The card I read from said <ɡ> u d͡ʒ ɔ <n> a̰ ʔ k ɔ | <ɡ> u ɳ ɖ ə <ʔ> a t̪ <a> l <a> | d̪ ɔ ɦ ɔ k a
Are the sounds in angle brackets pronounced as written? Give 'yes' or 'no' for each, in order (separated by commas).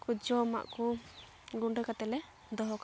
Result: no, no, yes, no, no, no